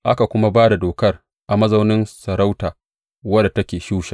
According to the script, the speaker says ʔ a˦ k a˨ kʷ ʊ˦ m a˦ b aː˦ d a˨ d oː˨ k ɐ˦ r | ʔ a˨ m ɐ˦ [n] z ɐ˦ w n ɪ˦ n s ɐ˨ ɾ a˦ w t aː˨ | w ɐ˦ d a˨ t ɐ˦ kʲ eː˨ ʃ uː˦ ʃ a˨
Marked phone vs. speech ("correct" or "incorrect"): incorrect